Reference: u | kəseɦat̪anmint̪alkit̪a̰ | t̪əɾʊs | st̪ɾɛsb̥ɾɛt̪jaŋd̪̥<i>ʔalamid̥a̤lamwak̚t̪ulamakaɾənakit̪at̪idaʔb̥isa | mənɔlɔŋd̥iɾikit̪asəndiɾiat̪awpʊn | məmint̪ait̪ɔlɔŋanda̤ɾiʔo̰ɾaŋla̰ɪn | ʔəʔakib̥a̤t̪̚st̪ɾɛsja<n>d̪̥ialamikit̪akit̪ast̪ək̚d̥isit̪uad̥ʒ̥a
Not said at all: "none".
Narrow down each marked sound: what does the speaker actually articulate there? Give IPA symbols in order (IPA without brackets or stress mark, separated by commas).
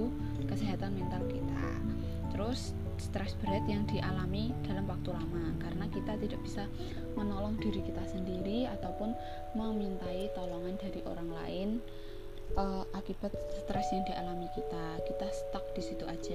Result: i, ŋ